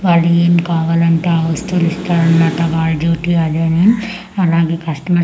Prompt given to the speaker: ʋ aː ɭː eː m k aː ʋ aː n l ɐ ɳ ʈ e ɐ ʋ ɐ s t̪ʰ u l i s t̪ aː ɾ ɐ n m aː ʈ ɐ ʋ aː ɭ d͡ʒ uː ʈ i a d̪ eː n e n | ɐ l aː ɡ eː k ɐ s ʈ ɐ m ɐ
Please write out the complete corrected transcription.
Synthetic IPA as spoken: ʋ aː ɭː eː m k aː ʋ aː l ɐ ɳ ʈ e ɐ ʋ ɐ s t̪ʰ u l i s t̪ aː ɾ ɐ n m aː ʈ ɐ ʋ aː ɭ d͡ʒ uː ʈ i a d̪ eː n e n | ɐ l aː ɡ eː k ɐ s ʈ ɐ m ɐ